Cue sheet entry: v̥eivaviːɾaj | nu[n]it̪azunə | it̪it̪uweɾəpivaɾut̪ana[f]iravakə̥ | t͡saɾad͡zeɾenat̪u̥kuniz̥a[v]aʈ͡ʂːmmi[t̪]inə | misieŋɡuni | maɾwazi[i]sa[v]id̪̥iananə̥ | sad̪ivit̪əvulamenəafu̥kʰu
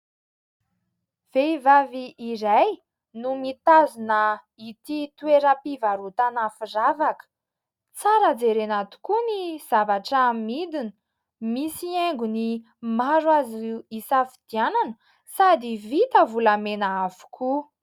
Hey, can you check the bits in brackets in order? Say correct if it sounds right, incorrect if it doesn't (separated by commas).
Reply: incorrect, correct, correct, incorrect, correct, incorrect